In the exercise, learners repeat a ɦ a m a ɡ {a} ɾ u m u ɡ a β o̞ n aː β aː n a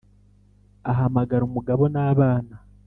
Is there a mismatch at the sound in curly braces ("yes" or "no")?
no